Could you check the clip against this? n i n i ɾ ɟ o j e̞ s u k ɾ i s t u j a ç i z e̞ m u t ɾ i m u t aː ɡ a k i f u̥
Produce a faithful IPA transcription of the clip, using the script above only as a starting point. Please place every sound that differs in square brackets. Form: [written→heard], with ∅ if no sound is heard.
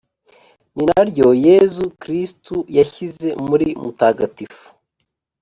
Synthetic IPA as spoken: n i n [i→a] ɾ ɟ o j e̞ [s→z] u k ɾ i s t u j a ç i z e̞ m u [t→∅] ɾ i m u t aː ɡ a [k→t] i f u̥